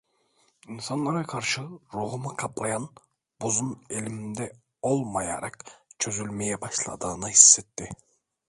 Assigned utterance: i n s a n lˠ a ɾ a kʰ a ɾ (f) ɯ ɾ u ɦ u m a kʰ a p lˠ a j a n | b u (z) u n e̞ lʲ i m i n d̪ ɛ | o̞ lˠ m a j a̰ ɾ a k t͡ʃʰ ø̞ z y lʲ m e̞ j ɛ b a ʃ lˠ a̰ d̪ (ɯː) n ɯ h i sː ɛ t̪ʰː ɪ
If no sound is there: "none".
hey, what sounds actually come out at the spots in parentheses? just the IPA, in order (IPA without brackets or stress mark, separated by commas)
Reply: ʃ, z, ɯː